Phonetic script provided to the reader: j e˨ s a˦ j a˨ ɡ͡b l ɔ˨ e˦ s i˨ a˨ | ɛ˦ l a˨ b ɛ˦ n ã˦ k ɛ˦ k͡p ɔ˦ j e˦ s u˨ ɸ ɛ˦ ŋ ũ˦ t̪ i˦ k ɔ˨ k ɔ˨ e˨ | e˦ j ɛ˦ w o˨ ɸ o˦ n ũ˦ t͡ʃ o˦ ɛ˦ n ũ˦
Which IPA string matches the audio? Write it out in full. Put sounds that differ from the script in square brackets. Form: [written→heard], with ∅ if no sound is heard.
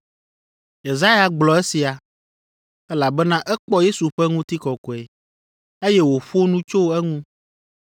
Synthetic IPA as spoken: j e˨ [s→z] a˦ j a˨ ɡ͡b l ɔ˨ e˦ s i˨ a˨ | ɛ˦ l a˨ b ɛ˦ n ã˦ [k→ʔ] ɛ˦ k͡p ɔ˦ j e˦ s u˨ ɸ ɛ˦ ŋ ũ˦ t̪ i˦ k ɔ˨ k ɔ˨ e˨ | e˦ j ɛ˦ w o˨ ɸ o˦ n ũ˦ t͡ʃ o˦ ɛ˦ [n→ŋ] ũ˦